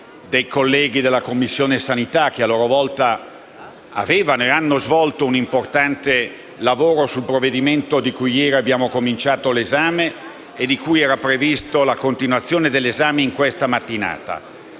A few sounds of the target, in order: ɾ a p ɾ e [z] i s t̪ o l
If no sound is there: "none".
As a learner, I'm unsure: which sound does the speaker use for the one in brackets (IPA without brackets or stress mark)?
v